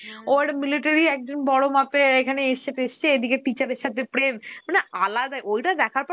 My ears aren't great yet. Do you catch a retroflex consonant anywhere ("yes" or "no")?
yes